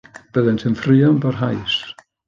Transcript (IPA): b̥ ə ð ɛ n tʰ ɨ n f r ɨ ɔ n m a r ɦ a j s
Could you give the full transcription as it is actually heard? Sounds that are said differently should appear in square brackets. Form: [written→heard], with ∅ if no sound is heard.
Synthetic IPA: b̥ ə ð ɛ n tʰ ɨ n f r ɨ ɔ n [m→b] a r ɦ a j s

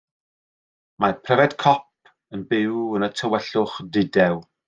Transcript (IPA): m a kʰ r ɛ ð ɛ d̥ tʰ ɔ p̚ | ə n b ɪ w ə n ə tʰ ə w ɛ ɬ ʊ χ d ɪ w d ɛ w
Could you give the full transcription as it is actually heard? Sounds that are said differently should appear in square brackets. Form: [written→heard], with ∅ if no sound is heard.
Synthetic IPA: m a [kʰ→pʰ] r ɛ [ð→v] ɛ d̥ [tʰ→kʰ] ɔ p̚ | ə n b ɪ w ə n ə tʰ ə w ɛ ɬ ʊ χ d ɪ [w→∅] d ɛ w

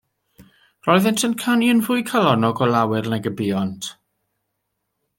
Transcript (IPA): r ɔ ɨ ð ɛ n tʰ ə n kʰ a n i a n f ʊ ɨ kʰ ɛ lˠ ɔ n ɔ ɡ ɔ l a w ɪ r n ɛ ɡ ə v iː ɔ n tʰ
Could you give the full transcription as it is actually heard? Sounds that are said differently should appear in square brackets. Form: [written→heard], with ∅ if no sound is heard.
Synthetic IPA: r ɔ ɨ ð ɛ n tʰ ə n kʰ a n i [a→ə] n [f→v] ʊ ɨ kʰ [ɛ→a] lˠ ɔ n ɔ ɡ ɔ l a w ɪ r n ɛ ɡ ə [v→b] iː ɔ n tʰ

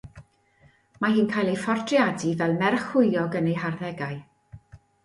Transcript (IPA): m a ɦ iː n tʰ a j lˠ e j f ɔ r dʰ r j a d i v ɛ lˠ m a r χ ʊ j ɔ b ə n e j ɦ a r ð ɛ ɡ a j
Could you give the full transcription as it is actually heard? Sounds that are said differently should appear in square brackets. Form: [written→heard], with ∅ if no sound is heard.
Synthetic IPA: m a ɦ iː n [tʰ→kʰ] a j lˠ e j f ɔ r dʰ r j a d i v ɛ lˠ m [a→ɛ] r χ ʊ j ɔ [b→ɡ] ə n e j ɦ a r ð ɛ ɡ a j

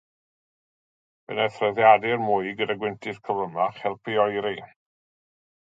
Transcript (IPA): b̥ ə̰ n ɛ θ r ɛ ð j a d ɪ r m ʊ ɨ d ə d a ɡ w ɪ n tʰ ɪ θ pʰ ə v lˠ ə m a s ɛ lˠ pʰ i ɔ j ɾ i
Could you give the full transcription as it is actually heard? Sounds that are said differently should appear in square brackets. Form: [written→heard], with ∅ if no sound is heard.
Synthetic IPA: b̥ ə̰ n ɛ θ r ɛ ð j a d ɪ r m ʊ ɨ [d→ɡ] ə d a ɡ w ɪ n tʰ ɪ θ [pʰ→kʰ] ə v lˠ ə m a [s→χ] ɛ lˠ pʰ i ɔ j ɾ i

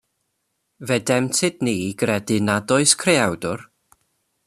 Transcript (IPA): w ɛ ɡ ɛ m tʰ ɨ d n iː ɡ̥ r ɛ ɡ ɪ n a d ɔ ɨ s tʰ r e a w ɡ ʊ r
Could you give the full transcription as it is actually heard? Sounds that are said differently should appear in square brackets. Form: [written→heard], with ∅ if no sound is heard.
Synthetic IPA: [w→v] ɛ [ɡ→d] ɛ m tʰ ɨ d n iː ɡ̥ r ɛ [ɡ→d] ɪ n a d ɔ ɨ s [tʰ→kʰ] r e a w [ɡ→d] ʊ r

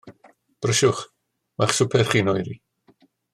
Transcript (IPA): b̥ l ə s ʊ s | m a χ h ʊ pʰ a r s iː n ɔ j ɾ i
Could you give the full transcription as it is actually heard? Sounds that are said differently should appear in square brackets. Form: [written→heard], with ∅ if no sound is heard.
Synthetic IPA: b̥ [l→r] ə [s→ʃ] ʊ [s→χ] | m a χ [h→s] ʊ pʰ [a→ɛ] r [s→χ] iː n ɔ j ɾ i

